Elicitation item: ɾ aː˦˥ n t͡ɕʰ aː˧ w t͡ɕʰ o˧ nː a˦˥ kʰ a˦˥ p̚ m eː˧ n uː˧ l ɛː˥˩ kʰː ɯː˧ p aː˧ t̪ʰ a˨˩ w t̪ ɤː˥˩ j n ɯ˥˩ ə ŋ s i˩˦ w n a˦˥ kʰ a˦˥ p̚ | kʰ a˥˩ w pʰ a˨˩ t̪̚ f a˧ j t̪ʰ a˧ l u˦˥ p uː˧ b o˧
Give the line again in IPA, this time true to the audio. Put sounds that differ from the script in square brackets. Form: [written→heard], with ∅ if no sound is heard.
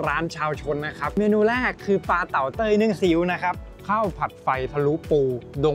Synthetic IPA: ɾ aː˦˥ n t͡ɕʰ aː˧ w t͡ɕʰ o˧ nː a˦˥ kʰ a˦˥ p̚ m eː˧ n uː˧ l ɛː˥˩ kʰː ɯː˧ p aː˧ [t̪ʰ→t̪] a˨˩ w t̪ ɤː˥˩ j n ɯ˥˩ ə ŋ s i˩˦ w n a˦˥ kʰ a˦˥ p̚ | kʰ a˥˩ w pʰ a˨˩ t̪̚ f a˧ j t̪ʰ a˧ l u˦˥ p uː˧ [b→d] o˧